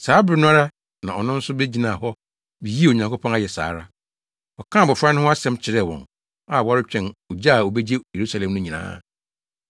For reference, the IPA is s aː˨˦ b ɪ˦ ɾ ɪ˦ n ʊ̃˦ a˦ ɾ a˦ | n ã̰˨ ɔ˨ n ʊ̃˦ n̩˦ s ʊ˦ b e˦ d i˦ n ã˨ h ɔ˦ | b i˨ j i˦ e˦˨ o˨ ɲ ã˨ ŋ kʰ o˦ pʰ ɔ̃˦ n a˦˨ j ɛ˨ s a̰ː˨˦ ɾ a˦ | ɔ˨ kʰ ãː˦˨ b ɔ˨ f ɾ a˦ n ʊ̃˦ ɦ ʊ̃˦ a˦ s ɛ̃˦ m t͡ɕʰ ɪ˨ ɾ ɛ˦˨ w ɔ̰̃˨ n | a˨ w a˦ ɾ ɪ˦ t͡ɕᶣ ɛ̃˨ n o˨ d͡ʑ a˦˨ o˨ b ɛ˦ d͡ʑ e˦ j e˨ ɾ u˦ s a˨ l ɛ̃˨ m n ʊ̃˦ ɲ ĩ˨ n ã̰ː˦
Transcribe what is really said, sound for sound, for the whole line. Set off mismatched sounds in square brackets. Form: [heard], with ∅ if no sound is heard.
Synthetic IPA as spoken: s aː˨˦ b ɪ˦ ɾ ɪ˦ n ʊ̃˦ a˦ ɾ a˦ | n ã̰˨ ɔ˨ n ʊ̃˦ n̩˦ s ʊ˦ b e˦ [d͡ʑ] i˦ n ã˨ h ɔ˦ | b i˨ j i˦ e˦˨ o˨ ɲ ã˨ ŋ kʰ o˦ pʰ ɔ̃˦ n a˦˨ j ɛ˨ s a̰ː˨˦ ɾ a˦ | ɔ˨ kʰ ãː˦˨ b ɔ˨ f ɾ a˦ n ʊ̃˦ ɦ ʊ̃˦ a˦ s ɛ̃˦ m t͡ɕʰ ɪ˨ ɾ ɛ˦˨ w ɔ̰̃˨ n | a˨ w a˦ ɾ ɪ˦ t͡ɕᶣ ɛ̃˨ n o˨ d͡ʑ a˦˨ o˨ b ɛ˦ d͡ʑ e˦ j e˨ ɾ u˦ s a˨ l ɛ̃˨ m n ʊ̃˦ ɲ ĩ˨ n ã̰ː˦